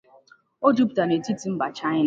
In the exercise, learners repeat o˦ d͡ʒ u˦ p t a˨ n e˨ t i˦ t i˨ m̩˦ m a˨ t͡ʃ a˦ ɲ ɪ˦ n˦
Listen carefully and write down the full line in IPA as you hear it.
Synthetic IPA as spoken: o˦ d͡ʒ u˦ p t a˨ n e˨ t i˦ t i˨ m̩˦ b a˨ t͡ʃ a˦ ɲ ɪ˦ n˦